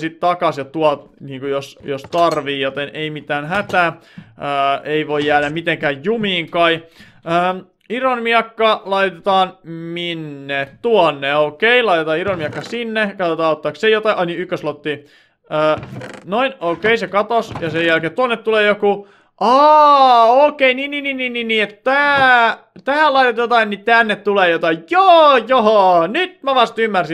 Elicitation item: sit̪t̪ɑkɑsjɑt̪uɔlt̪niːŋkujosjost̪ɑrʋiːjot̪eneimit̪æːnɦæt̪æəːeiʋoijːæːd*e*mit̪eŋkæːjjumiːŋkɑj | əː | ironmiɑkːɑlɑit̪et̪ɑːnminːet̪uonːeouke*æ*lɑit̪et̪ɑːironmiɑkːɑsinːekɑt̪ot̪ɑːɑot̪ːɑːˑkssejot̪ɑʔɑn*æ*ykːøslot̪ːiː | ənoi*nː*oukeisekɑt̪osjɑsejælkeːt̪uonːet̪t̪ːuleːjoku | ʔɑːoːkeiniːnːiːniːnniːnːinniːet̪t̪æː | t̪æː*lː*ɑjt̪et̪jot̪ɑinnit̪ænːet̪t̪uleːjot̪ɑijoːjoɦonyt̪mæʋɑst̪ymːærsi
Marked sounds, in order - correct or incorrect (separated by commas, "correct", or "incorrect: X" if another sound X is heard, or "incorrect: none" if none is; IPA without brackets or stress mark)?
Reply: incorrect: æ, incorrect: i, incorrect: i, incorrect: n, incorrect: l